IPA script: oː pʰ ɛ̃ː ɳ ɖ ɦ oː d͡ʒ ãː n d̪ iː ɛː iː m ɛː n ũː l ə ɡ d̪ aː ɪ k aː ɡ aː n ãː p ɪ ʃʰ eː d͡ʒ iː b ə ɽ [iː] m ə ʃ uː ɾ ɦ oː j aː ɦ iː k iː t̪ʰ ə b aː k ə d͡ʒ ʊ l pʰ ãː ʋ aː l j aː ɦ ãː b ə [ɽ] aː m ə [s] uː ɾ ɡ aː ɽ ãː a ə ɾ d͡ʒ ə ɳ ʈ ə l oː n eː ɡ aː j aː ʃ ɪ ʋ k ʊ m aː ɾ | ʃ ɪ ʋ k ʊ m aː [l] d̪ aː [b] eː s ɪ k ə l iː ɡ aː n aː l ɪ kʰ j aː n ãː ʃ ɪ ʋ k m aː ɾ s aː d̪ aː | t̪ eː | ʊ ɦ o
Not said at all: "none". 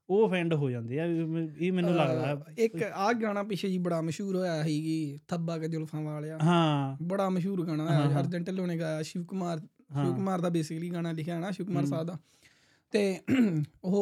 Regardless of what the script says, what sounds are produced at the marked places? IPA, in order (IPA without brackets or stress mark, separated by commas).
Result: aː, ɽ, ʃ, ɾ, b